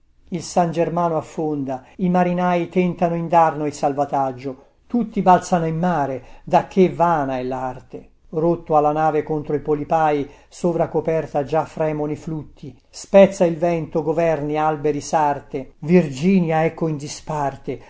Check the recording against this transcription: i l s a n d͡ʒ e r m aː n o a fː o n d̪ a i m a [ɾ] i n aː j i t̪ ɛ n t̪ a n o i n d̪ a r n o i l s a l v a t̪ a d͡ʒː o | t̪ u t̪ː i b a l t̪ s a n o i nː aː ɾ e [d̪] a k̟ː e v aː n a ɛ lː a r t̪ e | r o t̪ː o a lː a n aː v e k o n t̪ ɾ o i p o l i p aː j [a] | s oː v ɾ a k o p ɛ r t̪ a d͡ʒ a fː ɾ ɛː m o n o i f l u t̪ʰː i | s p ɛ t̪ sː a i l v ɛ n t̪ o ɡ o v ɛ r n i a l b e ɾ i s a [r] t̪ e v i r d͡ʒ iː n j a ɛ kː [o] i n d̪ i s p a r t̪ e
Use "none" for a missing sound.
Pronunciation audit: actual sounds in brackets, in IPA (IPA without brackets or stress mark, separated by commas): ɾ, d̪, i, r, o